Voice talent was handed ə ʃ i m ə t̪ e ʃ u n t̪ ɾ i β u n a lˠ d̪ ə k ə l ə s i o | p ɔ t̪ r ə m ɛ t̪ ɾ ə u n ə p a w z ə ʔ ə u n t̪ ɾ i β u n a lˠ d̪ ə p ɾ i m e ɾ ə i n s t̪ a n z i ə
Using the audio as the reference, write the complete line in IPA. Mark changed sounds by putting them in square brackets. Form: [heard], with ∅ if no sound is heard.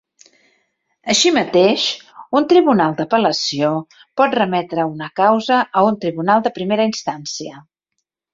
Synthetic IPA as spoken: ə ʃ i m ə t̪ e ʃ u n t̪ ɾ i β u n a lˠ d̪ ə [p] ə l ə s i o | p ɔ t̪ r ə m ɛ t̪ ɾ ə u n ə [k] a w z ə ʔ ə u n t̪ ɾ i β u n a lˠ d̪ ə p ɾ i m e ɾ ə i n s t̪ a n [s] i ə